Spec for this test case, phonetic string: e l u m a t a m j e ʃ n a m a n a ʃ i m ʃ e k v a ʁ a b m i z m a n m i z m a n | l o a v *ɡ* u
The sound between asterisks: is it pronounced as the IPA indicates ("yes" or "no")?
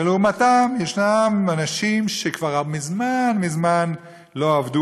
no